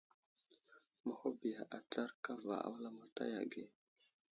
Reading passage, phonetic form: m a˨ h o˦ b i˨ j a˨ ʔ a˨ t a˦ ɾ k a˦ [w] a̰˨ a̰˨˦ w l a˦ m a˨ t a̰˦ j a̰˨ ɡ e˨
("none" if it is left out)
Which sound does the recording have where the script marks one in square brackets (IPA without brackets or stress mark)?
v